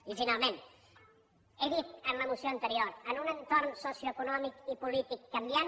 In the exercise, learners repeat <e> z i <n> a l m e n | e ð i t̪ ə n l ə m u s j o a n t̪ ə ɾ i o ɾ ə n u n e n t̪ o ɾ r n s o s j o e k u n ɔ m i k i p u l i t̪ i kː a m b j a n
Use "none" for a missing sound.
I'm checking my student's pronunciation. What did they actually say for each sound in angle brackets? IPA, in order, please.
i, n

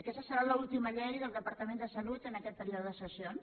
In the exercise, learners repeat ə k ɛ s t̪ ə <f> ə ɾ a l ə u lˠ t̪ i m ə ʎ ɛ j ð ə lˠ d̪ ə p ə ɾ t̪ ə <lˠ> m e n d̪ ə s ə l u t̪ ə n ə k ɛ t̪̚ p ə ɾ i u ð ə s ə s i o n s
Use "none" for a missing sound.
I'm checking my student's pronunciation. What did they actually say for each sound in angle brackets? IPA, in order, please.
s, none

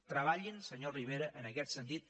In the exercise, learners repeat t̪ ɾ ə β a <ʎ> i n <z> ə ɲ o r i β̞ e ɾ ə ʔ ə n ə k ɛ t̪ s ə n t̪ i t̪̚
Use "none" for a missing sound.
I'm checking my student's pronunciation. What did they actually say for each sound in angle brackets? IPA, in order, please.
ʎ, s

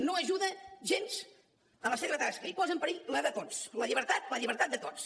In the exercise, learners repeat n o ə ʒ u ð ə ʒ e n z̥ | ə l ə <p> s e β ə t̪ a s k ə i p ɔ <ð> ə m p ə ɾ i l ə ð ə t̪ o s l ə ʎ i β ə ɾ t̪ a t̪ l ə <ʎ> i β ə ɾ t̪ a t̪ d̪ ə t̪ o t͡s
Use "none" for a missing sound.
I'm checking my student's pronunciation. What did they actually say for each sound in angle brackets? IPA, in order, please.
none, z, ʎ

